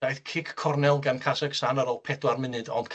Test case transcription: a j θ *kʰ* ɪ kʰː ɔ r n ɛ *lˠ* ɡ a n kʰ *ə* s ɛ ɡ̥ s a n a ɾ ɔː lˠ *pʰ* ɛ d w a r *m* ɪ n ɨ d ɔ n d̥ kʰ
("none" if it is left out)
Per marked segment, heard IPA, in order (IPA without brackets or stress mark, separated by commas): kʰ, lˠ, a, pʰ, m